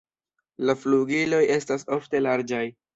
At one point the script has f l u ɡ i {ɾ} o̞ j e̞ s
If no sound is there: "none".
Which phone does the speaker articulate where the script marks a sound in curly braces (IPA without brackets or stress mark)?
l